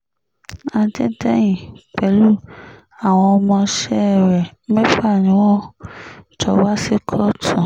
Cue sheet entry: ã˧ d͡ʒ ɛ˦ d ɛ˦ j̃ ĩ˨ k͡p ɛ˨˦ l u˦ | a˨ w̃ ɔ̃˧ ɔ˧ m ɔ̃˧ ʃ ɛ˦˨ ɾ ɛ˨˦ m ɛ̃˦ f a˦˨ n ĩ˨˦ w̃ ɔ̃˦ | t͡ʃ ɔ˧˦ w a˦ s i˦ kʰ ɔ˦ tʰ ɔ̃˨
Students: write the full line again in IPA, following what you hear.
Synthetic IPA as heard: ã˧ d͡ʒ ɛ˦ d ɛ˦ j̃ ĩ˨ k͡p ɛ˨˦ l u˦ | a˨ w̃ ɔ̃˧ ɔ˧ m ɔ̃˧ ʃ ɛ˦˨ ɾ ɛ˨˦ m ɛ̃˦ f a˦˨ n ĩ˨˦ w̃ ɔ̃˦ | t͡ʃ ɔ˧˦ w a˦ s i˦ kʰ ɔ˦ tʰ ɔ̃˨